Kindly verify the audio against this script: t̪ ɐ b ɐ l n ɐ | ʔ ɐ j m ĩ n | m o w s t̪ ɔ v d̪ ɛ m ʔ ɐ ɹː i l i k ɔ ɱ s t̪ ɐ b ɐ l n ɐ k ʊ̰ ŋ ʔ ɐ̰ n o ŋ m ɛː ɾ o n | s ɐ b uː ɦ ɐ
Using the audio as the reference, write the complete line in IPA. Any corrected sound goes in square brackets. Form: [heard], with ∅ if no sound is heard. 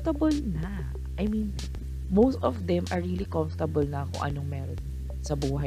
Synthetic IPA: t̪ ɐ b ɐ l n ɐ | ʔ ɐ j m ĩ n | m o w s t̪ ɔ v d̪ ɛ m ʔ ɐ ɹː i l i k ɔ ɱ [f] t̪ ɐ b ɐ l n ɐ k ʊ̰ ŋ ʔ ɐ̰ n o ŋ m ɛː ɾ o n | s ɐ b uː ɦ ɐ